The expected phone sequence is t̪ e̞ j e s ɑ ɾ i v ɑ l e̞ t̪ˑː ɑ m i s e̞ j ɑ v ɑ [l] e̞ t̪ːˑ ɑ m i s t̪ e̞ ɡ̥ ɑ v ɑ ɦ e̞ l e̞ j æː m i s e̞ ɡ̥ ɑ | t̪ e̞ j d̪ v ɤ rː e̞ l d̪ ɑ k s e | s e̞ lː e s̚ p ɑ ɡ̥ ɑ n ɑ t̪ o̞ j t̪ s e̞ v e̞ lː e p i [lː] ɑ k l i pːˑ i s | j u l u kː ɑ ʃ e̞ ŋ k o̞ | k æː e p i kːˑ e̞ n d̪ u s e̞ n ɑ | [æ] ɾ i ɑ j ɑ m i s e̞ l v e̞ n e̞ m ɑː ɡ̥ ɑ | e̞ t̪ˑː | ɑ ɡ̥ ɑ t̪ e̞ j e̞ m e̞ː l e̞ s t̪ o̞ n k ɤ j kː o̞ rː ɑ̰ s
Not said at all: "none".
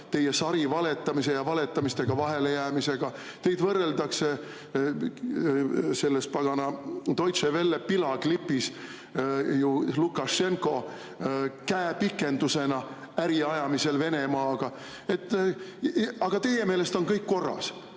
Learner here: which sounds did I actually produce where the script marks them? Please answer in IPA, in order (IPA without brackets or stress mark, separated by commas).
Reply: l, l, æ